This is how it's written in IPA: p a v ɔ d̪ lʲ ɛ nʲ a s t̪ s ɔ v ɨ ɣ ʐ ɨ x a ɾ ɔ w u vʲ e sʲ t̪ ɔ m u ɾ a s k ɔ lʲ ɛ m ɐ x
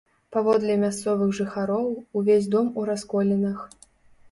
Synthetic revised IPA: p a v ɔ d̪ lʲ ɛ mʲ a s t̪ s ɔ v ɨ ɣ ʐ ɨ x a ɾ ɔ w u vʲ e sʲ d̪ ɔ m u ɾ a s k ɔ lʲ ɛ n ɐ x

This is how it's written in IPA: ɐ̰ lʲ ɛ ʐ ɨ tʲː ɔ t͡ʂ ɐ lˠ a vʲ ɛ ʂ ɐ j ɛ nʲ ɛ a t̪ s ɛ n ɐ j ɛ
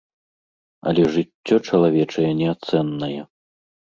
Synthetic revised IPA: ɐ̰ lʲ ɛ ʐ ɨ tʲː ɔ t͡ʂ ɐ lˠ a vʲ ɛ t͡ʂ ɐ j ɛ nʲ ɛ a t̪ s ɛ nː ɐ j ɛ

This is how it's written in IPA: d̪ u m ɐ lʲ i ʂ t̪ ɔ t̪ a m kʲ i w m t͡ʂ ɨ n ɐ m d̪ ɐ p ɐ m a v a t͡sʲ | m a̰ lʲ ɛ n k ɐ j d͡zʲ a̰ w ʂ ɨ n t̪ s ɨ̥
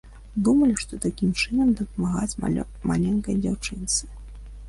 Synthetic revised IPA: d̪ u m ɐ lʲ i ʂ t̪ ɔ t̪ a kʲ i m t͡ʂ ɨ n ɐ m d̪ ɐ p ɐ m a ɣ a t͡sʲ | m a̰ lʲ ɛ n k ɐ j d͡zʲ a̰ w t͡ʂ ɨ n t̪ s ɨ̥

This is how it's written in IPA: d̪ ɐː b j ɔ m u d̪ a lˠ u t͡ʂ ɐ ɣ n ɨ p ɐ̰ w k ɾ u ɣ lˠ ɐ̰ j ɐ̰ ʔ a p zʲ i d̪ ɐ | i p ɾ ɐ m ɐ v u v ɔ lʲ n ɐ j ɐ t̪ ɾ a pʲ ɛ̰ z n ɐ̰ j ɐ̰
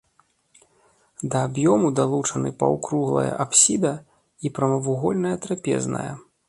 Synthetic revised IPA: d̪ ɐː b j ɔ m u d̪ a lˠ u t͡ʂ ɐ n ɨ p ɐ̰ w k ɾ u ɣ lˠ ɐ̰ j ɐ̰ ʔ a p sʲ i d̪ ɐ | i p ɾ ɐ m ɐ v u ɣ ɔ lʲ n ɐ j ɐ t̪ ɾ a pʲ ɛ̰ z n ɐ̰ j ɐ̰

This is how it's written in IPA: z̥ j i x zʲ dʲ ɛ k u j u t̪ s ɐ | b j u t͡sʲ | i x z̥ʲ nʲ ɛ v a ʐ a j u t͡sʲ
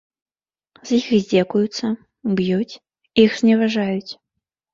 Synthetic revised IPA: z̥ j i x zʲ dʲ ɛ k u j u t̪ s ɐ | b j u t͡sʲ | i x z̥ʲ nʲ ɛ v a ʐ a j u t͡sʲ

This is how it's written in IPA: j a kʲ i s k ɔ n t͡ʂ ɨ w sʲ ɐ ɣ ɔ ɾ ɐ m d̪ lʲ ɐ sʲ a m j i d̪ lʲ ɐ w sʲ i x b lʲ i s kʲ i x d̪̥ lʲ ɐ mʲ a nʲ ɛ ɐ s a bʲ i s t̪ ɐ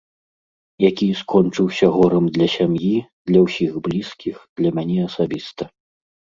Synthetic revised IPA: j a kʲ i s k ɔ n t͡ʂ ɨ w sʲ ɐ ɣ ɔ ɾ ɐ m d̪ lʲ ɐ sʲ a m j i d̪ lʲ ɐ w sʲ i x b lʲ i s kʲ i x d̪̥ lʲ ɐ mʲ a nʲ ɛ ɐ s a bʲ i s t̪ ɐ

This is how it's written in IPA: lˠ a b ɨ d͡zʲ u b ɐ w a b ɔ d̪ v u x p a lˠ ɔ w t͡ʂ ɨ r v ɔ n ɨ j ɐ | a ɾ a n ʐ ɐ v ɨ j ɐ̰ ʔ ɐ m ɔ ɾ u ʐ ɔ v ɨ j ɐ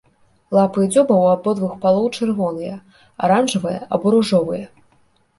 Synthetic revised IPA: lˠ a p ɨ d͡zʲ ɔ b ɐ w a b ɔ d̪ v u x p a lˠ ɔ w t͡ʂ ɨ r v ɔ n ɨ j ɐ | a ɾ a n ʐ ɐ v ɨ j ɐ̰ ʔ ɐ b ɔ ɾ u ʐ ɔ v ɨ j ɐ

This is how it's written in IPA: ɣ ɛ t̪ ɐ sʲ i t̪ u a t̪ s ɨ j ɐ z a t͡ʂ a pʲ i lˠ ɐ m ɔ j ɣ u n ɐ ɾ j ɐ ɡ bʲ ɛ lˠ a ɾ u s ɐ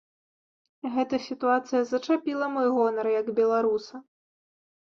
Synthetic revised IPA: ɣ ɛ t̪ ɐ sʲ i t̪ u a t̪ s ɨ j ɐ z ɐ t͡ʂ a pʲ i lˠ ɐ m ɔ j ɣ ɔ n ɐ ɾ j ɐ ɡ bʲ ɛ lˠ a ɾ u s ɐ

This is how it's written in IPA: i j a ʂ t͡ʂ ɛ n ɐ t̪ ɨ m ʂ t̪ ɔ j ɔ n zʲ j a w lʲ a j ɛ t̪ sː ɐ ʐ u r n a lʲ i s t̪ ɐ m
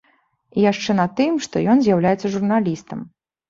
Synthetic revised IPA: i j a ʂ t͡ʂ ɛ n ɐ t̪ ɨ m ʂ t̪ ɔ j ɔ n zʲ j a w lʲ a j ɛ t̪ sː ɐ ʐ u r n a lʲ i s t̪ ɐ m

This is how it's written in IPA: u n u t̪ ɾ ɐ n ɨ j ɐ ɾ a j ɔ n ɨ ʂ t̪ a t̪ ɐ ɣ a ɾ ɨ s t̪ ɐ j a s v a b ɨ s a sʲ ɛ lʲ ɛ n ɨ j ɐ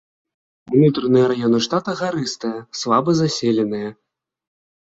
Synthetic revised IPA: u n u t̪ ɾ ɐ n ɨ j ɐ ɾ a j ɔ n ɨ ʂ t̪ a t̪ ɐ ɣ a ɾ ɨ s t̪ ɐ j ɐ s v a b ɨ z a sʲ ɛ lʲ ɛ n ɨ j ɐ

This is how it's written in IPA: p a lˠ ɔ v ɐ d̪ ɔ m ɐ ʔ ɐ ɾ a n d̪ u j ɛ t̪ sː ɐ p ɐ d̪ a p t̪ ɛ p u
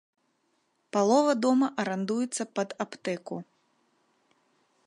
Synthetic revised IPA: p a lˠ ɔ v ɐ d̪ ɔ m ɐ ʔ ɐ ɾ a n d̪ u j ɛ t̪ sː ɐ p ɐ d̪ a p t̪ ɛ k u

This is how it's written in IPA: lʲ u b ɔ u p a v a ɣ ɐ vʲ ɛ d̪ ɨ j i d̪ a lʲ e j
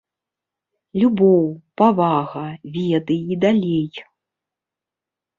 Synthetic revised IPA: lʲ u b ɔ w p a v a ɣ ɐ vʲ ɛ d̪ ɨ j i d̪ a lʲ e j

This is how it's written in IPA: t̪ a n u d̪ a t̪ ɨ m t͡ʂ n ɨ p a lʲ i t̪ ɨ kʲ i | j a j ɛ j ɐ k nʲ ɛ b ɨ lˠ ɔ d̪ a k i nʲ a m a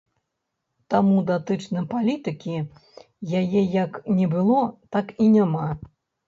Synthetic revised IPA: t̪ a m u d̪ a t̪ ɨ t͡ʂ n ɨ p a lʲ i t̪ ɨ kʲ i | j a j ɛ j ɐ k nʲ ɛ b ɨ lˠ ɔ t̪ a k i nʲ a m a

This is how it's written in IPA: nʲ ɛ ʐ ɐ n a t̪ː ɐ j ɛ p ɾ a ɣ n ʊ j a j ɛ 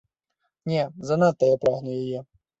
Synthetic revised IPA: nʲ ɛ z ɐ n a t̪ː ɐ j a p ɾ a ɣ n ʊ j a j ɛ

